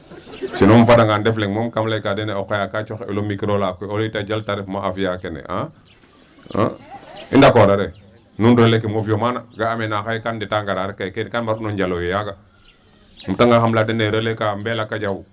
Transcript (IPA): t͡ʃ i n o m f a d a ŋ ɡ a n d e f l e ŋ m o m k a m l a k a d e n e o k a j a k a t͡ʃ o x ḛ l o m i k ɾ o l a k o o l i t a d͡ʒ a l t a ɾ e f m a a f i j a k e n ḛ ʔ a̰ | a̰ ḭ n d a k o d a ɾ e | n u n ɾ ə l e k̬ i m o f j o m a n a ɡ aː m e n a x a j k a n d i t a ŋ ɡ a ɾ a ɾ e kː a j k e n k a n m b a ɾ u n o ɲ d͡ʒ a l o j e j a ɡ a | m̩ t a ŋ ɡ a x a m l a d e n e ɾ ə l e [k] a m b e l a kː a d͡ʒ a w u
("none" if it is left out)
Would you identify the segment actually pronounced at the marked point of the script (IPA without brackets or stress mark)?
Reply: k